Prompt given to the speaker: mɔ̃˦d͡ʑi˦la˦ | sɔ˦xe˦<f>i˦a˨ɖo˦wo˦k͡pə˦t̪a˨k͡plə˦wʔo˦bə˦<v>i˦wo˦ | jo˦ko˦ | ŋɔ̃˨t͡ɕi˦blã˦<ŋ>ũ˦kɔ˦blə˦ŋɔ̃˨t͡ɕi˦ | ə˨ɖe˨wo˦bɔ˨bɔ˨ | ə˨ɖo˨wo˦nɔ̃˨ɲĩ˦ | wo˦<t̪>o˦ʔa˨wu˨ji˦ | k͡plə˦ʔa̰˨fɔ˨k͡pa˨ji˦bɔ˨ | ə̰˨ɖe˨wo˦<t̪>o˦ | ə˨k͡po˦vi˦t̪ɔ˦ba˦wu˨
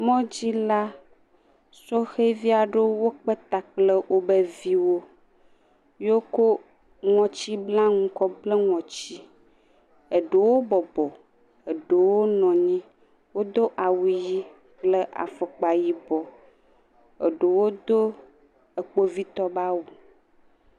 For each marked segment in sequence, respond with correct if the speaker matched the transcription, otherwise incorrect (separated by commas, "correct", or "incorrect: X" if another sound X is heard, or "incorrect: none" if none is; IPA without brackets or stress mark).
incorrect: v, correct, correct, incorrect: d̪, incorrect: d̪